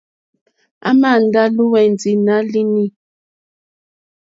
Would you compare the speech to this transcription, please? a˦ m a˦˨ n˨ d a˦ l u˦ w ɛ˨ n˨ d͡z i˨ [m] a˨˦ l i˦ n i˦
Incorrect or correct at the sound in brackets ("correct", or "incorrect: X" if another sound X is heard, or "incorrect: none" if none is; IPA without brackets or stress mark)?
incorrect: n